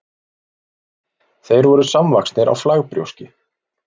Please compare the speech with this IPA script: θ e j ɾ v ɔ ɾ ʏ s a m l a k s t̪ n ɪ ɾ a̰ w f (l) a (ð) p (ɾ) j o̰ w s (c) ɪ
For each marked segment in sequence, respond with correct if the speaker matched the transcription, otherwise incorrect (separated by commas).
correct, incorrect, correct, correct